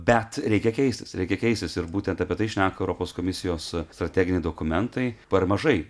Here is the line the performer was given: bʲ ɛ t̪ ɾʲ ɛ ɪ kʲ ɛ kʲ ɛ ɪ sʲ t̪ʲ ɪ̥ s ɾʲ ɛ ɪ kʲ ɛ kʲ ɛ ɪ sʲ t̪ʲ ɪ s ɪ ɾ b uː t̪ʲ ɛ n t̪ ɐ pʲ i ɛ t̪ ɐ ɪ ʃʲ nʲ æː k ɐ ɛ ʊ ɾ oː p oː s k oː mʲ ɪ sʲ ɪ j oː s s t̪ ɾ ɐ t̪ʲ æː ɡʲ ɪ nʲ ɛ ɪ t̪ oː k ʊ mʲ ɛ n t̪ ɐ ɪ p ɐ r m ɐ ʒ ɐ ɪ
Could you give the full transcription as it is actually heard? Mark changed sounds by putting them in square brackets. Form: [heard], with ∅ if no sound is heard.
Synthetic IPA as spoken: bʲ ɛ t̪ ɾʲ ɛ ɪ kʲ ɛ kʲ ɛ ɪ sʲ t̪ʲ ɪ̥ s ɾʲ ɛ ɪ kʲ ɛ kʲ ɛ ɪ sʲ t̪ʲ ɪ s ɪ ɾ b uː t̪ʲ ɛ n t̪ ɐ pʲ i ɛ t̪ ɐ ɪ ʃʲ nʲ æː k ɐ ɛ ʊ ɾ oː p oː s k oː mʲ ɪ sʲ ɪ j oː s s t̪ ɾ ɐ t̪ʲ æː ɡʲ ɪ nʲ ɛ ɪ [d̪] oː k ʊ mʲ ɛ n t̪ ɐ ɪ p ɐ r m ɐ ʒ ɐ ɪ